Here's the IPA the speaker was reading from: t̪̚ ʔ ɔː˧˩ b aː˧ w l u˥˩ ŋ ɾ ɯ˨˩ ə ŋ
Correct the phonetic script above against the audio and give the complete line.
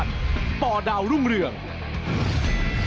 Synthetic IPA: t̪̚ p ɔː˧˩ d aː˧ w ɾ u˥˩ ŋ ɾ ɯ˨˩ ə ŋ